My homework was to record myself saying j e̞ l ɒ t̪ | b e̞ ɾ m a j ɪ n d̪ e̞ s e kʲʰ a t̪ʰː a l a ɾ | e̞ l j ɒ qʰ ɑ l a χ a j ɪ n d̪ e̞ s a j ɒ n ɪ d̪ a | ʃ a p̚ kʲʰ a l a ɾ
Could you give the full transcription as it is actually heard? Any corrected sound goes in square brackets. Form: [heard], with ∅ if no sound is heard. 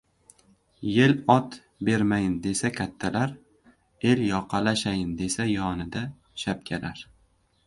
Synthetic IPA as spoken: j e̞ l ɒ t̪ | b e̞ ɾ m a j ɪ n d̪ e̞ s [a] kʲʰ a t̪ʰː a l a ɾ | e̞ l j ɒ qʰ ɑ l a [ʃ] a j ɪ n d̪ e̞ s a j ɒ n ɪ d̪ a | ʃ a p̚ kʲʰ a l a ɾ

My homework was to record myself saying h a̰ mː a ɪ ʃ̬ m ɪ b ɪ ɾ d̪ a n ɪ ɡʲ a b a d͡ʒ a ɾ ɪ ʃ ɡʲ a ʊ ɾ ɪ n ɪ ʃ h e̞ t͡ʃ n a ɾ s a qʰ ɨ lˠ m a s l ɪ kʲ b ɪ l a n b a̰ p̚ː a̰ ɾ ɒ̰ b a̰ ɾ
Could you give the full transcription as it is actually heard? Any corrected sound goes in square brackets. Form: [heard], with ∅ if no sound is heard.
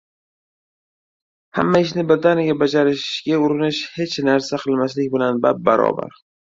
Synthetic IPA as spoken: h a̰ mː a ɪ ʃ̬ [n] ɪ b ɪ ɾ d̪ a n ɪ ɡʲ a b a d͡ʒ a ɾ ɪ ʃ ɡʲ a ʊ ɾ ɪ n ɪ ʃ h e̞ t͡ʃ n a ɾ s a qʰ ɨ lˠ m a s l ɪ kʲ b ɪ l a n b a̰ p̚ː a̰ ɾ ɒ̰ b a̰ ɾ

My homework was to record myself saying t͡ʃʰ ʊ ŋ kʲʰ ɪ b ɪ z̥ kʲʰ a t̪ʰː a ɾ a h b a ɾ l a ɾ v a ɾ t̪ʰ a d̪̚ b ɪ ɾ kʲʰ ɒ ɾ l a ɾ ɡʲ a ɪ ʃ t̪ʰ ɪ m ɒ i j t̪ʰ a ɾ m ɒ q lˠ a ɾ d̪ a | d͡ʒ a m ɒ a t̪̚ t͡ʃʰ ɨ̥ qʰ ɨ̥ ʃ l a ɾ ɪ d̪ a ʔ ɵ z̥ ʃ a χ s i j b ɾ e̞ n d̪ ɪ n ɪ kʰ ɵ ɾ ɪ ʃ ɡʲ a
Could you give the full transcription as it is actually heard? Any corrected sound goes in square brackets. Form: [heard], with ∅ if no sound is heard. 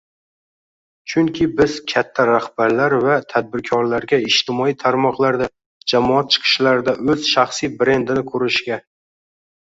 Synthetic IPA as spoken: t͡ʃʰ ʊ ŋ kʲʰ ɪ b ɪ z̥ kʲʰ a t̪ʰː a ɾ a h b a ɾ l a ɾ v a [∅] t̪ʰ a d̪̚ b ɪ ɾ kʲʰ ɒ ɾ l a ɾ ɡʲ a ɪ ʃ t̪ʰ ɪ m ɒ i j t̪ʰ a ɾ m ɒ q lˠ a ɾ d̪ a | d͡ʒ a m ɒ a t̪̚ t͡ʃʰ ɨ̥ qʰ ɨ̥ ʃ l a ɾ ɪ d̪ a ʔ ɵ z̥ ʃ a χ s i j b ɾ e̞ n d̪ ɪ n ɪ kʰ ɵ ɾ ɪ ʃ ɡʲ a

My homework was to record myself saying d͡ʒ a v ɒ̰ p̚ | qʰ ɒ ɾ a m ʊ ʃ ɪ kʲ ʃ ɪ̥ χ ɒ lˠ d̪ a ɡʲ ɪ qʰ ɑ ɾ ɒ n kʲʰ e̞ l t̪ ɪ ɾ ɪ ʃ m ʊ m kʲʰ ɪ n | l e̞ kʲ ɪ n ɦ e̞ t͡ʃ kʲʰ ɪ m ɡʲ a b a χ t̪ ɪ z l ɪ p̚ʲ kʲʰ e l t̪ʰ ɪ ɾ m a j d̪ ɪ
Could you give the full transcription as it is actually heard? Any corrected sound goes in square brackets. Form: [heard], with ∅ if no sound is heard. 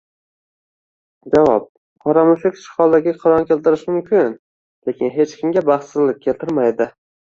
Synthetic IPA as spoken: d͡ʒ a v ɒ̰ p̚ | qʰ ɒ ɾ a m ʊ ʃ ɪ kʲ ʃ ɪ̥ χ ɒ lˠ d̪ a ɡʲ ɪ qʰ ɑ ɾ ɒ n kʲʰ e̞ l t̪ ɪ ɾ ɪ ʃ m ʊ m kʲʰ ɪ n | l e̞ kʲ ɪ n ɦ e̞ t͡ʃ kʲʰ ɪ m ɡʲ a b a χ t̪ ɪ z l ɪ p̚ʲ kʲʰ e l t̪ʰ ɪ ɾ m a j d̪ ɪ

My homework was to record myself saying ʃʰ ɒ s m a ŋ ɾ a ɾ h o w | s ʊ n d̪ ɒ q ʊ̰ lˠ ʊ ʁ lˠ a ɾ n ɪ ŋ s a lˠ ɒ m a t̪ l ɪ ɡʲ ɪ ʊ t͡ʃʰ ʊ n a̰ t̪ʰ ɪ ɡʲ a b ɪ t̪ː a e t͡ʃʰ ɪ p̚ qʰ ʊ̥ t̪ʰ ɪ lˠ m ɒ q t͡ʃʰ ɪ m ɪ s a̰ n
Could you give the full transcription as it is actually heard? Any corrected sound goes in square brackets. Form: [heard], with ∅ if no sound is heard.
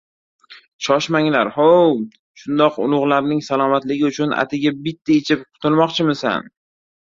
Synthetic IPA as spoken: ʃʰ ɒ [ʃ] m a ŋ [l] a ɾ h o w | [ʃ] ʊ n d̪ ɒ q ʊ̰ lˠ ʊ ʁ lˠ a ɾ n ɪ ŋ s a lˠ ɒ m a t̪ l ɪ ɡʲ ɪ ʊ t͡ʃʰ ʊ n a̰ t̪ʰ ɪ ɡʲ a b ɪ t̪ː a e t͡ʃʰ ɪ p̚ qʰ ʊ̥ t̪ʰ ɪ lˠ m ɒ q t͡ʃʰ ɪ m ɪ s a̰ n

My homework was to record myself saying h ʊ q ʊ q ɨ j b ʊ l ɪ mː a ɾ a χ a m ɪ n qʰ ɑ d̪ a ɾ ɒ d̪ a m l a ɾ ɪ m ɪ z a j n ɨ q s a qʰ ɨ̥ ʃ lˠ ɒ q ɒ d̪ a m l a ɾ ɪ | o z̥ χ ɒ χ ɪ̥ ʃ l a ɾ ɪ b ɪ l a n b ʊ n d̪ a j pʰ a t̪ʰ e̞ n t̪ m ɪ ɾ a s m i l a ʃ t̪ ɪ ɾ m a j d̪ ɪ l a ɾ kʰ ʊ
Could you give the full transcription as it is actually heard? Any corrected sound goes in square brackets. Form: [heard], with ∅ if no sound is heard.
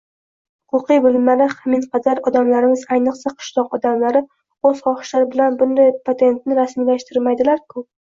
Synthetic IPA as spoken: h ʊ q ʊ q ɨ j b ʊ l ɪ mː a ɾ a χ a m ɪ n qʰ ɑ d̪ a ɾ ɒ d̪ a m l a ɾ ɪ m ɪ z a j n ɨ q s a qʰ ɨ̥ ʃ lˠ ɒ q ɒ d̪ a m l a ɾ ɪ | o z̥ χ ɒ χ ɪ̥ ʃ l a ɾ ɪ b ɪ l a n b ʊ n d̪ a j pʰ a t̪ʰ e̞ n t̪ [n] ɪ ɾ a s m i l a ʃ t̪ ɪ ɾ m a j d̪ ɪ l a ɾ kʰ ʊ

